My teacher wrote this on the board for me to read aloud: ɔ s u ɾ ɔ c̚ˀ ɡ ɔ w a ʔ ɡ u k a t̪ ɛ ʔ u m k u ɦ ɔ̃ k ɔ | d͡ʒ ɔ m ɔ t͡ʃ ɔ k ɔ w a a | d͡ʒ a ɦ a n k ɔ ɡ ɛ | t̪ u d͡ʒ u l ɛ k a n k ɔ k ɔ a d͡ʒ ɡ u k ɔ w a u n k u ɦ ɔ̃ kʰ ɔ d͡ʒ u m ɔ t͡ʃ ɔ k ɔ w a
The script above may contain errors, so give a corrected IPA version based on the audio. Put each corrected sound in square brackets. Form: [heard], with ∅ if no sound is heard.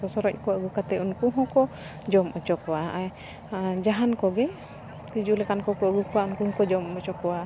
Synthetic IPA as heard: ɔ s [ɔ] ɾ ɔ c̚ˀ [k] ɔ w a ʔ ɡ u k a t̪ ɛ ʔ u [n] k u ɦ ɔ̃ k ɔ | d͡ʒ ɔ m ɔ t͡ʃ ɔ k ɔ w a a | d͡ʒ a ɦ a n k ɔ ɡ ɛ | t̪ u d͡ʒ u l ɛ k a n k ɔ k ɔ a [∅] ɡ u k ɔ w a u n k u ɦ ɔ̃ [k] ɔ d͡ʒ [ɔ] m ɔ t͡ʃ ɔ k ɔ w a

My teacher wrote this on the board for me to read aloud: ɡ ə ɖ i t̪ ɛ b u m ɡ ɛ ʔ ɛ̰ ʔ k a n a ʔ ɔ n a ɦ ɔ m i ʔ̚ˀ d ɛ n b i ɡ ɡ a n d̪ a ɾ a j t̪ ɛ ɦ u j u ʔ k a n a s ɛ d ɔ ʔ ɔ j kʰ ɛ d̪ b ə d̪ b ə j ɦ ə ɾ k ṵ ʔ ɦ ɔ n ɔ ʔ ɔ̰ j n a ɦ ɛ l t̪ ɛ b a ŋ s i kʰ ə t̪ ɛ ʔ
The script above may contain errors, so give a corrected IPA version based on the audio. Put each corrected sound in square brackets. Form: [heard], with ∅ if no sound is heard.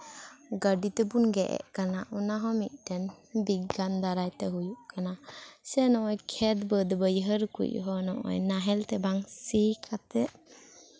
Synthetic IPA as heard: ɡ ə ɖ i t̪ ɛ b u [n] ɡ ɛ ʔ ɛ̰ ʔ k a n a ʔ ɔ n a ɦ ɔ m i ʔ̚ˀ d ɛ n b i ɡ ɡ a n d̪ a ɾ a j t̪ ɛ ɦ u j u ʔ k a n a s ɛ [n] ɔ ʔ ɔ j kʰ ɛ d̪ b ə d̪ b ə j ɦ ə ɾ k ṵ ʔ ɦ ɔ n ɔ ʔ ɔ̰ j n a ɦ ɛ l t̪ ɛ b a ŋ s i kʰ [a] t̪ ɛ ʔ

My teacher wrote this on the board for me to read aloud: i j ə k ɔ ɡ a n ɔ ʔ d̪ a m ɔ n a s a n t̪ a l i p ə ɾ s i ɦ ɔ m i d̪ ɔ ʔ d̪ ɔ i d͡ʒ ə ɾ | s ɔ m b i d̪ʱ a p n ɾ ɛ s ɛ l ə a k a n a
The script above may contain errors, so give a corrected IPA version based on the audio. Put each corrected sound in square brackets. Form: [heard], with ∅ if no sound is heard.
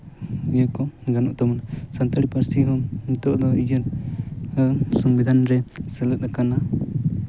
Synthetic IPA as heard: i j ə k ɔ ɡ a n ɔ ʔ [t̪] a m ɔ n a s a n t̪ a [ɽ] i p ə ɾ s i ɦ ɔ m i [t̪] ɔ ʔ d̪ ɔ i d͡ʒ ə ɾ | s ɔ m b i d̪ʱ a [∅] n ɾ ɛ s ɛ l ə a k a n a

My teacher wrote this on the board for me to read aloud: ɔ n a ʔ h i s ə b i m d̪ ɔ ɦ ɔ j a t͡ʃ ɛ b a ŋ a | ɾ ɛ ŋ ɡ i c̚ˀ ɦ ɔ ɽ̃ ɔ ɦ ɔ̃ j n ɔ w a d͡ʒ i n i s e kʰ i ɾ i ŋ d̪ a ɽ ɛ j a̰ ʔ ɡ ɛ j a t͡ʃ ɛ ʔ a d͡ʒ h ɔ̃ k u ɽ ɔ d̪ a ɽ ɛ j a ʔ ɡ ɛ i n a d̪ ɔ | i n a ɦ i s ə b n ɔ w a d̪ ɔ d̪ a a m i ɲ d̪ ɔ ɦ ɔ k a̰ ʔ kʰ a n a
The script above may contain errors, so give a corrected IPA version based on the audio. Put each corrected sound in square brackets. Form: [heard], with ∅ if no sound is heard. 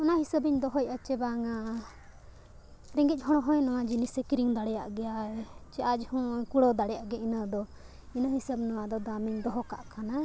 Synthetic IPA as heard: ɔ n a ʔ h i s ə b i [ɲ] d̪ ɔ ɦ ɔ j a t͡ʃ ɛ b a ŋ a | ɾ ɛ ŋ ɡ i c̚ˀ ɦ ɔ ɽ̃ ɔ ɦ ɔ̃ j n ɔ w a d͡ʒ i n i s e [k] i ɾ i ŋ d̪ a ɽ ɛ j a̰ ʔ ɡ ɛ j a t͡ʃ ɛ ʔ a d͡ʒ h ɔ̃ k u ɽ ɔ d̪ a ɽ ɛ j a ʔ ɡ ɛ i n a d̪ ɔ | i n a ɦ i s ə b n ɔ w a d̪ ɔ d̪ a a m i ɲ d̪ ɔ ɦ ɔ k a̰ ʔ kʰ a n a

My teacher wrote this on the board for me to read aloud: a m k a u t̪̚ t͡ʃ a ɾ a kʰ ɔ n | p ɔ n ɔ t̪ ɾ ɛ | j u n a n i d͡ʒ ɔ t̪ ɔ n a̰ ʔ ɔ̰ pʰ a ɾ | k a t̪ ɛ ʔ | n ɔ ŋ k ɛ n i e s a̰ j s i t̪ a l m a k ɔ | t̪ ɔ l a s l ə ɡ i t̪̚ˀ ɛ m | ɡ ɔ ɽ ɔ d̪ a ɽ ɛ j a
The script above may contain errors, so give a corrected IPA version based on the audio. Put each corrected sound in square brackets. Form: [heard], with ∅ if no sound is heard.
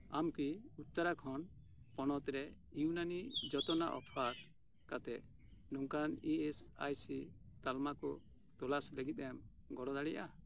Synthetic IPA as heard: a m k [i] u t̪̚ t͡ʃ a ɾ a kʰ ɔ n | p ɔ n ɔ t̪ ɾ ɛ | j u n a n i d͡ʒ ɔ t̪ ɔ n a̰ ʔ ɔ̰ pʰ a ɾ | k a t̪ ɛ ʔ | n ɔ ŋ k [a] n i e s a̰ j s i t̪ a l m a k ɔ | t̪ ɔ l a s l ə ɡ i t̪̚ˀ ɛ m | ɡ ɔ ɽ ɔ d̪ a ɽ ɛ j a

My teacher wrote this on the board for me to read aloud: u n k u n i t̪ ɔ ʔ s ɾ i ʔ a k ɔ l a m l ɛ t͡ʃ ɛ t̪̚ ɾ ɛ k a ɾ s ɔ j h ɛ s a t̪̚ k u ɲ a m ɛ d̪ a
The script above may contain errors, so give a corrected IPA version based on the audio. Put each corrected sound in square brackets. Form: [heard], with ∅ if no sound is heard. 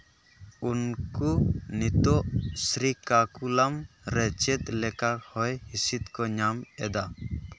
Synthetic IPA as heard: u n k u n i t̪ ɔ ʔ s ɾ i [k] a k [u] l a m [ɾ] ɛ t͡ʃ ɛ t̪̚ [l] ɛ k a ɾ [h] ɔ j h [i] s [i] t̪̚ k [ɔ] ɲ a m ɛ d̪ a

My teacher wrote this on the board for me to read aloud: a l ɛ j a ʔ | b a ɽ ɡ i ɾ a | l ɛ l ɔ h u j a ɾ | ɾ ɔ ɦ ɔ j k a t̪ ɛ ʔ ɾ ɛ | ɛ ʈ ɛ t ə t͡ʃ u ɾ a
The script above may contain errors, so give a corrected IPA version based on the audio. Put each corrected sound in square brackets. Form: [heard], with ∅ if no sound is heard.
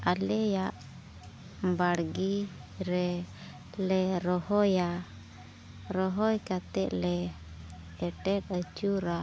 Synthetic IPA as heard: a l ɛ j a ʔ | b a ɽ ɡ i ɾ [ɛ] | l ɛ [ɾ] ɔ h [ɔ] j a [∅] | ɾ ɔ ɦ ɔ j k a t̪ ɛ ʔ [l] ɛ | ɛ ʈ ɛ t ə t͡ʃ u ɾ a

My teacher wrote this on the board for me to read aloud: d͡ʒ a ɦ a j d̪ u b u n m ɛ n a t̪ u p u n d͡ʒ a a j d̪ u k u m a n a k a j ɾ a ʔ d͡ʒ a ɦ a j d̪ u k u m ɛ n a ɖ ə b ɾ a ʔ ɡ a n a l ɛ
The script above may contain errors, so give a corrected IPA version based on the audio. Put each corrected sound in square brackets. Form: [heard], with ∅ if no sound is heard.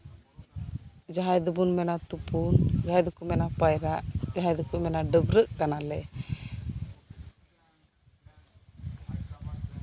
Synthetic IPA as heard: d͡ʒ a ɦ a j d̪ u b u n m ɛ n a t̪ u p u n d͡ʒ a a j d̪ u k u m [ɛ] n a [p] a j ɾ a ʔ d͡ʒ a ɦ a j d̪ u k u m ɛ n a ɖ ə b ɾ [ə] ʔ [k] a n a l ɛ

